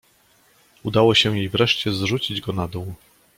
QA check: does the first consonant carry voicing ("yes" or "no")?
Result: yes